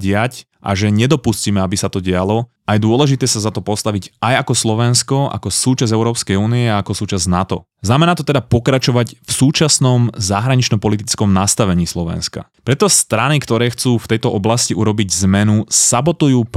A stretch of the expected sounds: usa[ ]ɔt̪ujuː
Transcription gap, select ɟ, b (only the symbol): b